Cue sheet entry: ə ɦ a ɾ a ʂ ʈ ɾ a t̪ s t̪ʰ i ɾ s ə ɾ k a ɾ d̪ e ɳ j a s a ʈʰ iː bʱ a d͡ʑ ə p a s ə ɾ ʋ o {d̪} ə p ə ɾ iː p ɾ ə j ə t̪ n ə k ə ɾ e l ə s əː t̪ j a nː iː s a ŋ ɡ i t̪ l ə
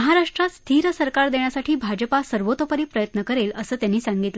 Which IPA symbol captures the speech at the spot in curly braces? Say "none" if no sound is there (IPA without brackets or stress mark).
t̪